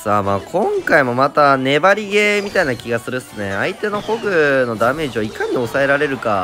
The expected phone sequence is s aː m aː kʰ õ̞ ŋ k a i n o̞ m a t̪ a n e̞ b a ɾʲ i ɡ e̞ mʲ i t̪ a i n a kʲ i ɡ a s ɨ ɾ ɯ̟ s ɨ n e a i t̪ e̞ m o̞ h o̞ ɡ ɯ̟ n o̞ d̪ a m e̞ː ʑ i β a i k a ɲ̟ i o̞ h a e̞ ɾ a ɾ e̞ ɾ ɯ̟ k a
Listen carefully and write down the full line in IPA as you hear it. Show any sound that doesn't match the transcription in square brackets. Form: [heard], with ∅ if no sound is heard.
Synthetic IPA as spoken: s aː m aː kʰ õ̞ ŋ k a i [m] o̞ m a t̪ a n e̞ b a ɾʲ i ɡ e̞ mʲ i t̪ a i n a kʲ i ɡ a s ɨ ɾ ɯ̟ s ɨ n e a i t̪ e̞ [n] o̞ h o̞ ɡ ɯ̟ n o̞ d̪ a m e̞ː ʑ i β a i k a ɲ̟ i o̞ [s] a e̞ ɾ a ɾ e̞ ɾ ɯ̟ k a